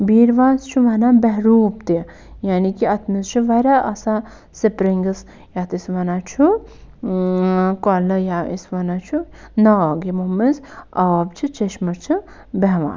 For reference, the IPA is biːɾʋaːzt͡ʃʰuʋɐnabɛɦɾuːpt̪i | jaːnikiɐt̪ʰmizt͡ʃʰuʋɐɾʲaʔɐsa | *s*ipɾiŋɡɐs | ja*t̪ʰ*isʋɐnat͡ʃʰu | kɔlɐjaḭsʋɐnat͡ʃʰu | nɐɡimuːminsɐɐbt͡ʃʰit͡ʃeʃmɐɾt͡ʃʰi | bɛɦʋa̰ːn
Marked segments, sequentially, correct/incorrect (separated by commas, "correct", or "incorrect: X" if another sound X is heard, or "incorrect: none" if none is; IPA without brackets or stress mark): correct, incorrect: t̪